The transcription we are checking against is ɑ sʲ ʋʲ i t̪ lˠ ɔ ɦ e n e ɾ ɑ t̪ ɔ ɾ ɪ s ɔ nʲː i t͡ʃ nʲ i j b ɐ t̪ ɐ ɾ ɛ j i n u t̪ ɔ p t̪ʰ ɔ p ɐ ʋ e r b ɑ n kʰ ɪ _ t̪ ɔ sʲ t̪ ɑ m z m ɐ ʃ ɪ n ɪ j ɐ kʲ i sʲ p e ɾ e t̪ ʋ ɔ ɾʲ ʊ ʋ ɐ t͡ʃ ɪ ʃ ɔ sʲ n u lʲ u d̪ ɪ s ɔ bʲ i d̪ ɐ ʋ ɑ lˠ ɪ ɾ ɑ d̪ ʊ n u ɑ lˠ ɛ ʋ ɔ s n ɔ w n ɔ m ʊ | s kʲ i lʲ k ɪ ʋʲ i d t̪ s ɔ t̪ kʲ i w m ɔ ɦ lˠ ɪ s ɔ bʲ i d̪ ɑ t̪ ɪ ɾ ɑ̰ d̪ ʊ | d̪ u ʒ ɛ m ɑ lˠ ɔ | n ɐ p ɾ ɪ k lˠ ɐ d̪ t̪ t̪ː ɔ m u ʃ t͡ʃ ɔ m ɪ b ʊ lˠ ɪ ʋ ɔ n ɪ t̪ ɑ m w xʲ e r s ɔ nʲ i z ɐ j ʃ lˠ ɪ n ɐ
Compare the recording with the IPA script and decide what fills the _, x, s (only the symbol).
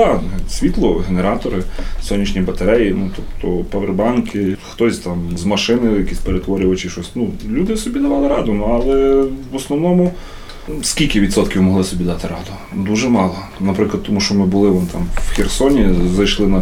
x